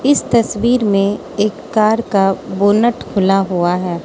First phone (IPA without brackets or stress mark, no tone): ɪ